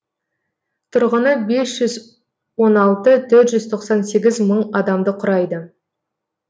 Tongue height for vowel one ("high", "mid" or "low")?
high